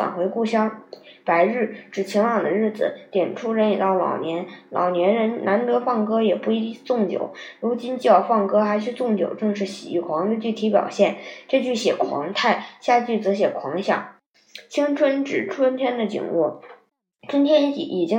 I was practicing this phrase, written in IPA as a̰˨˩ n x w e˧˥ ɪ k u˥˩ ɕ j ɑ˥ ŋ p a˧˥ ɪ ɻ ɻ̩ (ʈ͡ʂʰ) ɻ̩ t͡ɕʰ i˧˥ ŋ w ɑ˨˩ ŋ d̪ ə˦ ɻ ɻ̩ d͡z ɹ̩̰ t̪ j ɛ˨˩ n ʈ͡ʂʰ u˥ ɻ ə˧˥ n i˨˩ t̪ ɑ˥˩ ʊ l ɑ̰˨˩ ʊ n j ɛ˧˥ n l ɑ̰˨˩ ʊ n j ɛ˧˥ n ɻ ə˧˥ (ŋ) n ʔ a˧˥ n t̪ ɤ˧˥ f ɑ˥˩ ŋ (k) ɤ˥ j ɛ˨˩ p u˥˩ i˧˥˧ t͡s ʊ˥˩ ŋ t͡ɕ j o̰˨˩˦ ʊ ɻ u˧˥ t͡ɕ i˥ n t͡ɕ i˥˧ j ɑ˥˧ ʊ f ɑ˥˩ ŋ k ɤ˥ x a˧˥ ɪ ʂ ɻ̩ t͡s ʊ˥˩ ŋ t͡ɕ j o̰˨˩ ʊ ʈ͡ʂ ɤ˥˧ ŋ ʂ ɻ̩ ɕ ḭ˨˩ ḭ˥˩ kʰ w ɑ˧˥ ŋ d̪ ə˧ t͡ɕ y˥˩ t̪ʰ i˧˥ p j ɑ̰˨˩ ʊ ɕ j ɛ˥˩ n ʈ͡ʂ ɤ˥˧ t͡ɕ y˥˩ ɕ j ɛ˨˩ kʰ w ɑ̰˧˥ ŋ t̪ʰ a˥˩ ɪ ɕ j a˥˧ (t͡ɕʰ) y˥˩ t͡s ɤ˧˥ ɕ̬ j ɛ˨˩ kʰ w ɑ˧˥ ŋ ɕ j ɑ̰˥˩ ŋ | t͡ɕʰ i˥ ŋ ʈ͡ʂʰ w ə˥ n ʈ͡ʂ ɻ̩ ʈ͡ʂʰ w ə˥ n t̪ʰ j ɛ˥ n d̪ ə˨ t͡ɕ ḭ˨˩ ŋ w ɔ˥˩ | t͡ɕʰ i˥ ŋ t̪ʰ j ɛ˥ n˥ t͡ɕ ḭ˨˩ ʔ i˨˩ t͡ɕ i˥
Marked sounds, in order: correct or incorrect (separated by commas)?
incorrect, incorrect, correct, incorrect